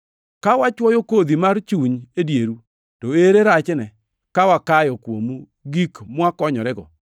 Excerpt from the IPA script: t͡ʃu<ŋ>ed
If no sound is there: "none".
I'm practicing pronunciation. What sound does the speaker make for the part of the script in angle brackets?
ɲ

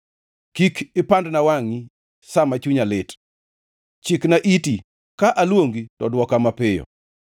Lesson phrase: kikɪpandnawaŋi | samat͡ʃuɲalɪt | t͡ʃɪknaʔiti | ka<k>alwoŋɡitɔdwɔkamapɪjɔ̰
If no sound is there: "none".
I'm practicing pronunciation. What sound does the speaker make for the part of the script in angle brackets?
ʔ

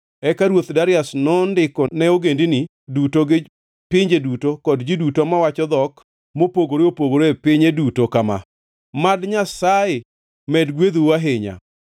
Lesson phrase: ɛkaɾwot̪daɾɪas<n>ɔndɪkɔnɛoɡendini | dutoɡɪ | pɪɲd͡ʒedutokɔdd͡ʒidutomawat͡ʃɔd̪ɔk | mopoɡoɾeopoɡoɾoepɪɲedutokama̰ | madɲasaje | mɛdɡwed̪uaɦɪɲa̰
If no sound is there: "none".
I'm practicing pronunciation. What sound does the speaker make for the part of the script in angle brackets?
n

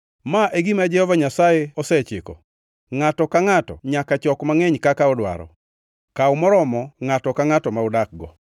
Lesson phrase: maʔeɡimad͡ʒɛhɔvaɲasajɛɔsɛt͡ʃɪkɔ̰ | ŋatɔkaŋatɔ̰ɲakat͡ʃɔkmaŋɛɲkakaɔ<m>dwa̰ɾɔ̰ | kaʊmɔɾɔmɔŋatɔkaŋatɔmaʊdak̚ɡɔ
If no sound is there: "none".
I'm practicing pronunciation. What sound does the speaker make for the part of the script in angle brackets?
none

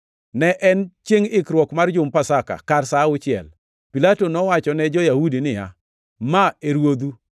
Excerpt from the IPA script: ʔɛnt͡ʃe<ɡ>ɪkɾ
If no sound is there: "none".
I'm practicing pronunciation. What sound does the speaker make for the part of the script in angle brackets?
ŋ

